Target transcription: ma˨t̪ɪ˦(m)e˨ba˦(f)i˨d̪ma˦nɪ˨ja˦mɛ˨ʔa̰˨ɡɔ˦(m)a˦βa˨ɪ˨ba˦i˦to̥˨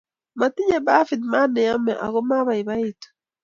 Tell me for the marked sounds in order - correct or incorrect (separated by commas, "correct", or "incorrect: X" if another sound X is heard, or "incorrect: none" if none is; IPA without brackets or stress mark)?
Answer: incorrect: ɲ, correct, correct